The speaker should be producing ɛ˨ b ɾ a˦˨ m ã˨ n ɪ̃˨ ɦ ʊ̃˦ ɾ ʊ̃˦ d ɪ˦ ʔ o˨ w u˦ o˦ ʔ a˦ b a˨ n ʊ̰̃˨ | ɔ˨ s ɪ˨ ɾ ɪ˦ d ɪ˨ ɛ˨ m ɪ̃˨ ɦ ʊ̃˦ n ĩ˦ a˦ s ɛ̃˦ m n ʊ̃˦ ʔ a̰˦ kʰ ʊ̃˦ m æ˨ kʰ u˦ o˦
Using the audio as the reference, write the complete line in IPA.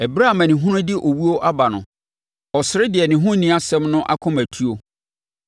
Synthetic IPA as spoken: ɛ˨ b ɾ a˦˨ m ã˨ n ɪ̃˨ ɦ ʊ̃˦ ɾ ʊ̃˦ d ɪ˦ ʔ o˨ w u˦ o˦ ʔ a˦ b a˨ n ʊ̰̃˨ | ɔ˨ s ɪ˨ ɾ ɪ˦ d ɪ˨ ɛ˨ n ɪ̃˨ ɦ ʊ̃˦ n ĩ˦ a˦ s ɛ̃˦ m n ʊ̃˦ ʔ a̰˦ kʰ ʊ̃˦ m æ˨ tʰ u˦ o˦